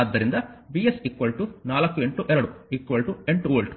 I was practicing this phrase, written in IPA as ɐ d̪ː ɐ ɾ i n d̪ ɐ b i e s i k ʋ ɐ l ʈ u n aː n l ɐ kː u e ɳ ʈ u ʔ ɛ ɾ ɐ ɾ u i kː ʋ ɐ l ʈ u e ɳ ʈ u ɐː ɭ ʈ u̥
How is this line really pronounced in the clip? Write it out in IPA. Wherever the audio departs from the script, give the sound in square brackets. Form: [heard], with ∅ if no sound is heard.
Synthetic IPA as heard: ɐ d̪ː ɐ ɾ i n d̪ ɐ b i e s i k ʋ ɐ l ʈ u n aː [∅] l ɐ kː u e ɳ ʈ u ʔ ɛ ɾ ɐ [ɽ] u i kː ʋ ɐ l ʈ u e ɳ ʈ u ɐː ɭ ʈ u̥